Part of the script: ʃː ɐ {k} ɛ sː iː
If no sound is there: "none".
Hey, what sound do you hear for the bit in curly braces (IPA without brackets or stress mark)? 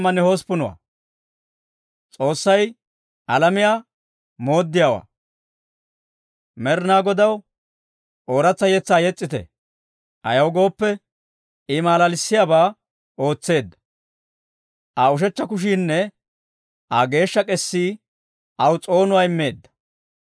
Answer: kʼ